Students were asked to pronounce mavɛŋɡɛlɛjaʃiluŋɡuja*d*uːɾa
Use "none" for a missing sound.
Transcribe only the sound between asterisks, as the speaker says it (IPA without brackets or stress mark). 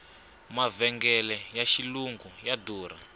d